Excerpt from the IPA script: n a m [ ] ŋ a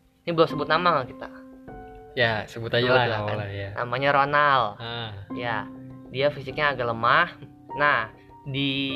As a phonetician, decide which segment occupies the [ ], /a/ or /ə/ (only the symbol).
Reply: a